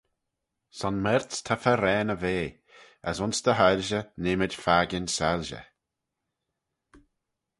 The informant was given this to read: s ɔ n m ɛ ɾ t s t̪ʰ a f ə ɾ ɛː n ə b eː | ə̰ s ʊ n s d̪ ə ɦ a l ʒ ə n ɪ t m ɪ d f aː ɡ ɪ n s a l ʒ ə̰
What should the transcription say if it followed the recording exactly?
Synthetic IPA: s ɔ n m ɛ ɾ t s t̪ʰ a f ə ɾ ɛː n ə v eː | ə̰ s ʊ n s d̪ ə ɦ a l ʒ ə n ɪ m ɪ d f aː ɡ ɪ n s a l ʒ ə̰